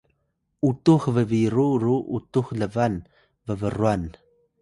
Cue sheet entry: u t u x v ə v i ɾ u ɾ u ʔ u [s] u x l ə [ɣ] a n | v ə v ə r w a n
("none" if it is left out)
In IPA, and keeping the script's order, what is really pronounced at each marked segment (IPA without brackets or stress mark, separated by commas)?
t, v